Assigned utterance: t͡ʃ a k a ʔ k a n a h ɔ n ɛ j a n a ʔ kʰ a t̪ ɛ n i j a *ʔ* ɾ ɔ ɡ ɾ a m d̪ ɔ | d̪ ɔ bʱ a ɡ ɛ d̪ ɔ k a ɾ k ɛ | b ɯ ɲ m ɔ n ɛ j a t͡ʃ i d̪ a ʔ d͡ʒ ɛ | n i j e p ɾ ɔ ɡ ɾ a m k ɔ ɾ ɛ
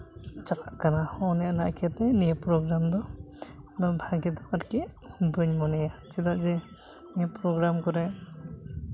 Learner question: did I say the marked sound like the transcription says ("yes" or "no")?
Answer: no